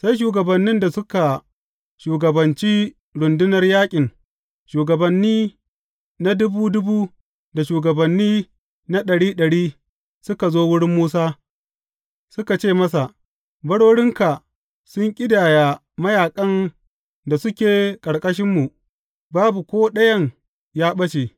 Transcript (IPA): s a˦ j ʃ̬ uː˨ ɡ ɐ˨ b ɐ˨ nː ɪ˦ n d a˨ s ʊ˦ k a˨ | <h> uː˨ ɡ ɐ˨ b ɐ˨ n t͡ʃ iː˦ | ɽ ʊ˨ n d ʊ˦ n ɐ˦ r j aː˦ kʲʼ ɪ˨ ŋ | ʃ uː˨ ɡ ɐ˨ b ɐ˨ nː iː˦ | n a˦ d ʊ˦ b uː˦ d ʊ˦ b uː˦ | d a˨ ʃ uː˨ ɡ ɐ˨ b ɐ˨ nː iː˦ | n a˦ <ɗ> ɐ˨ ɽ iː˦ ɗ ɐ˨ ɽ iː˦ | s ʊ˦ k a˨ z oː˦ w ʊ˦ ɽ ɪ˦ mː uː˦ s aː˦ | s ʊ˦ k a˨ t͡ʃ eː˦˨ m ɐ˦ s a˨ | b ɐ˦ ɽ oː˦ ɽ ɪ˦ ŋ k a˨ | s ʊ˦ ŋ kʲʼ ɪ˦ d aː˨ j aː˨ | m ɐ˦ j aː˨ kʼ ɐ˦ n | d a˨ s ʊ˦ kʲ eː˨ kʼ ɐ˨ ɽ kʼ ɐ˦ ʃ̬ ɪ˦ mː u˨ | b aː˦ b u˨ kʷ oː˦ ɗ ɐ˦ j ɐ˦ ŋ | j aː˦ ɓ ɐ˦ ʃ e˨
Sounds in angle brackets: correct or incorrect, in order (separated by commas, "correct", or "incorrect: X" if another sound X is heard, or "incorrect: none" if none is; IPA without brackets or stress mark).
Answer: incorrect: ʃ, correct